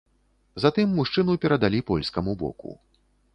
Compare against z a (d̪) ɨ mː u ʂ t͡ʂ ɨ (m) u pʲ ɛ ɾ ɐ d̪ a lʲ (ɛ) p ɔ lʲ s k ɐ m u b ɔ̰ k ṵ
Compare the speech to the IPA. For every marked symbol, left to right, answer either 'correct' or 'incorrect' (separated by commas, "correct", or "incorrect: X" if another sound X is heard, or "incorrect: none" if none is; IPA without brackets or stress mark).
incorrect: t̪, incorrect: n, incorrect: i